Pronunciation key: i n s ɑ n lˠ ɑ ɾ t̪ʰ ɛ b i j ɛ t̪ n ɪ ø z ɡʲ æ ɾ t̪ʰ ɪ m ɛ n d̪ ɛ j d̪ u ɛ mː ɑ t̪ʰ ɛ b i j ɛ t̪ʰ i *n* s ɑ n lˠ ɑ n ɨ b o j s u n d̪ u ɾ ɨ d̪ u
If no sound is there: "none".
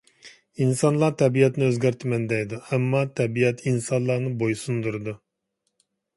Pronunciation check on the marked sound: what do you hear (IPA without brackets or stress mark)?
n